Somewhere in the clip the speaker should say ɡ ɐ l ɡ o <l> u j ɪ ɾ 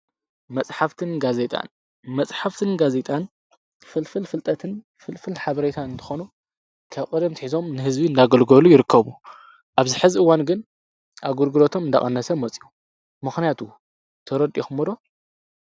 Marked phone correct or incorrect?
correct